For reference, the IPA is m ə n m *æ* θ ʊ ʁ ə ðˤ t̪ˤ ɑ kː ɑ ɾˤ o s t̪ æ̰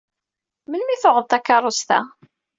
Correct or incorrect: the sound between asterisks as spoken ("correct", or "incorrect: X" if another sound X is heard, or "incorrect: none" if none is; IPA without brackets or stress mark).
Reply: incorrect: i